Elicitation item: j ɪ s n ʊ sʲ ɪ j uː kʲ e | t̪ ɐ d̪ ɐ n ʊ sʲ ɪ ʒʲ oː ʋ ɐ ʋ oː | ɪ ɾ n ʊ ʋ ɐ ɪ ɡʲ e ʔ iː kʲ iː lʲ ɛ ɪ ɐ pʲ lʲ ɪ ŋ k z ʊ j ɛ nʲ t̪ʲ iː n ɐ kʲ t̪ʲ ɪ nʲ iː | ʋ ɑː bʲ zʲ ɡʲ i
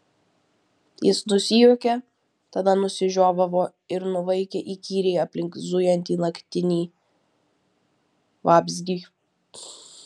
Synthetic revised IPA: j ɪ s n ʊ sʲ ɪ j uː kʲ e | t̪ ɐ d̪ ɐ n ʊ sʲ ɪ ʒʲ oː ʋ ɐ ʋ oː | ɪ ɾ n ʊ ʋ ɐ ɪ kʲ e ʔ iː kʲ iː ɾʲ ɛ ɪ ɐ pʲ lʲ ɪ ŋ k z ʊ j ɛ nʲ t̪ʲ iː n ɐ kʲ t̪ʲ ɪ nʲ iː | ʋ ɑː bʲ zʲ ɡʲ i